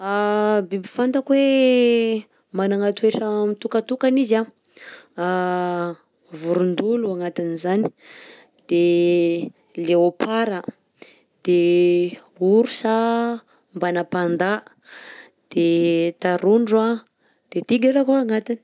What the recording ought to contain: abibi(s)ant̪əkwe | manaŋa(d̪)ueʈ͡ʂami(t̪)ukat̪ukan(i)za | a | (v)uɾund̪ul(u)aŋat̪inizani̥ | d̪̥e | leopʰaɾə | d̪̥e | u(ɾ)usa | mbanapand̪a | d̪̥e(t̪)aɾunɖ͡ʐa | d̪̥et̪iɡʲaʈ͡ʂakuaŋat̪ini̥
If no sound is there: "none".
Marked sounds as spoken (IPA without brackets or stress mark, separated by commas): f, t̪, t̪, i, v, u, ɾ, t̪